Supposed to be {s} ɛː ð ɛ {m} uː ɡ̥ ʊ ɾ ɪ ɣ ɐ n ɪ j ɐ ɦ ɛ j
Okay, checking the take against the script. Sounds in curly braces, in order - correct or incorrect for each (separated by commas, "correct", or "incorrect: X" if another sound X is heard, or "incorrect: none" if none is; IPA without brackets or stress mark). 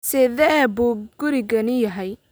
correct, incorrect: b